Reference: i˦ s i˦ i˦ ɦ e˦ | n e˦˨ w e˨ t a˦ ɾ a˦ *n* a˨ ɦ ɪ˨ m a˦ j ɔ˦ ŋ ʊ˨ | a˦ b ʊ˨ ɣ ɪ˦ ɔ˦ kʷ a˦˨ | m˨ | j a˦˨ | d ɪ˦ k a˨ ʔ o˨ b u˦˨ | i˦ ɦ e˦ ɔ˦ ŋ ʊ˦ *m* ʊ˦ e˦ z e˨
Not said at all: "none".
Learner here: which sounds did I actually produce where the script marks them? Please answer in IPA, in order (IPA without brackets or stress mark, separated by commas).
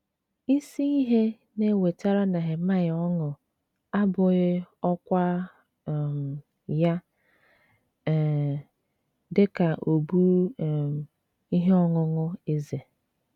n, ŋ